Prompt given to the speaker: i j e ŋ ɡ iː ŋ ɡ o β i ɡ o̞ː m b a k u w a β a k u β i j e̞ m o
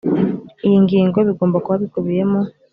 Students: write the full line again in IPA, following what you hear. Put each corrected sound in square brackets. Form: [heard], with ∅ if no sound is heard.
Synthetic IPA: i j [i] ŋ ɡ iː ŋ ɡ o β i ɡ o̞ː m b a k u [β] a β [i] k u β i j e̞ m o